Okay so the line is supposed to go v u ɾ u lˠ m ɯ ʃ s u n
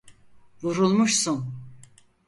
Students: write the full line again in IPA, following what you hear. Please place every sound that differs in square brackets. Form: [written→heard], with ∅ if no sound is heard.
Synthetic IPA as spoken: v u ɾ u lˠ m [ɯ→u] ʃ s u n